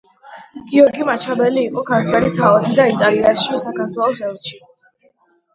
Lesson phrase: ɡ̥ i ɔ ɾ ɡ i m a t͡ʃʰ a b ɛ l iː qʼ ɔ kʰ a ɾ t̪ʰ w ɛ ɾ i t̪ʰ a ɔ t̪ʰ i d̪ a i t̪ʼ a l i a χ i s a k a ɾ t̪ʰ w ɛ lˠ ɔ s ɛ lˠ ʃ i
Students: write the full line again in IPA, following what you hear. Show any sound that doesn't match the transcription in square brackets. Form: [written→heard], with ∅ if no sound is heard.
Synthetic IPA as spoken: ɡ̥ i ɔ ɾ ɡ i m a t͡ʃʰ a b ɛ l iː qʼ ɔ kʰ a ɾ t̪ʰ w ɛ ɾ i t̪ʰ a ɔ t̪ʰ i d̪ a i t̪ʼ a l i a [χ→ʃ] i s a k a ɾ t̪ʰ w ɛ lˠ ɔ s ɛ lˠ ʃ i